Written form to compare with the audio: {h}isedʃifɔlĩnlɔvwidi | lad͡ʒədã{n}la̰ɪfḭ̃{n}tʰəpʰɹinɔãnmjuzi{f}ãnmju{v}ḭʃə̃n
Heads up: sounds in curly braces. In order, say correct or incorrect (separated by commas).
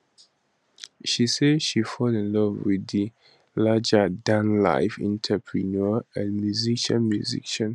incorrect, correct, correct, incorrect, incorrect